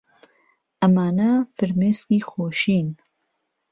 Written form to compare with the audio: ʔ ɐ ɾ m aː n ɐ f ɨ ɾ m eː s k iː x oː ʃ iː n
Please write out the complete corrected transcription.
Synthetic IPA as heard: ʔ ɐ m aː n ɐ f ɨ ɾ m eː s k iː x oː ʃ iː n

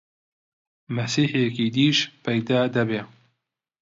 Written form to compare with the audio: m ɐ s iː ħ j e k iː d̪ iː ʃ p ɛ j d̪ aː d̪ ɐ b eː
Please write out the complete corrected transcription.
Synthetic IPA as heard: m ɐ s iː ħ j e k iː d̪ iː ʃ p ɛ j d̪ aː d̪ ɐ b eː

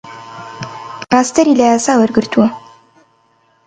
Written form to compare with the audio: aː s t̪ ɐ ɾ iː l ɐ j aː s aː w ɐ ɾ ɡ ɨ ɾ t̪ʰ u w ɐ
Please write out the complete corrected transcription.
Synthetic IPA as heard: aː s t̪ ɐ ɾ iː l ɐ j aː s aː w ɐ ɾ ɡ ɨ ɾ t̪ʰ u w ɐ

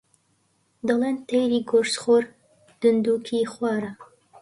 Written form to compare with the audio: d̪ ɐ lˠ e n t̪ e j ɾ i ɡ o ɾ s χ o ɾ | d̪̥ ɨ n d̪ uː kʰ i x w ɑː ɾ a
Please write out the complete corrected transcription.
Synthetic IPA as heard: d̪ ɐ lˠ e n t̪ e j ɾ i ɡ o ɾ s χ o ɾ | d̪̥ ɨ n d̪ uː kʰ i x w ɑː ɾ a

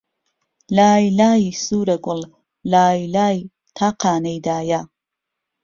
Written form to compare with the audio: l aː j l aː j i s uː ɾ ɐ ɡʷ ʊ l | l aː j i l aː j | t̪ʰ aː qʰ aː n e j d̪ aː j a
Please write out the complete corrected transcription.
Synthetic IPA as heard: l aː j l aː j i s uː ɾ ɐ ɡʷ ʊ l | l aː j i l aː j | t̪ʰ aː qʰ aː n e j d̪ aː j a

